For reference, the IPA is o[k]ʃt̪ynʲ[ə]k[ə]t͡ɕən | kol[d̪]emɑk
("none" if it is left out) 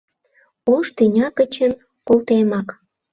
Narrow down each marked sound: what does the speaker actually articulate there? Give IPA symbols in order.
none, ɑ, ə, t̪

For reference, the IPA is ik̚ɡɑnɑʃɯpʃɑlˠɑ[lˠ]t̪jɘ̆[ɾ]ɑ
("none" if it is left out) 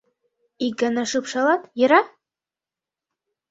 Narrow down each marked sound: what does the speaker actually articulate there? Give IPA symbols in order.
none, ɾ

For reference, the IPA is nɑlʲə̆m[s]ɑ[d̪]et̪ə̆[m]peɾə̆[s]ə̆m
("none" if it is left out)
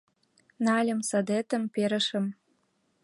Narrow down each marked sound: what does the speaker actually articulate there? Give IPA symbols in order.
s, d̪, m, ʃ

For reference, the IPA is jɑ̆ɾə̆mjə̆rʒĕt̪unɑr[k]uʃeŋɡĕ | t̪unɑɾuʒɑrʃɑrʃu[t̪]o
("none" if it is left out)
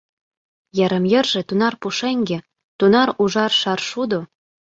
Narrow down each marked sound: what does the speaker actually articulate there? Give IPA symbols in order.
p, d̪

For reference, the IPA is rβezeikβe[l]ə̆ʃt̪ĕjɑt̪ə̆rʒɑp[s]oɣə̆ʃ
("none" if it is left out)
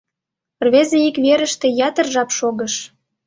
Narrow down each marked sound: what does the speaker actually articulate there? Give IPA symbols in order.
ɾ, ʃ

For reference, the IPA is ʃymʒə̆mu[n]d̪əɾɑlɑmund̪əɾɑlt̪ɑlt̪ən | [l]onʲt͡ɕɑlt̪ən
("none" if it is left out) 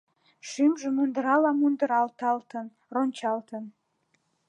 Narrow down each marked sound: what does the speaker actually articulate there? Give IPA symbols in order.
n, r

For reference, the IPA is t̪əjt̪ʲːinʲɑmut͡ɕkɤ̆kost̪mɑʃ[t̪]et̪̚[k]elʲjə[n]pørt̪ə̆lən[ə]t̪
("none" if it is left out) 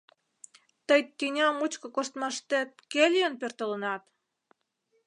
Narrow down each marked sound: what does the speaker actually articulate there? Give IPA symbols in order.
t̪, k, n, ɑ

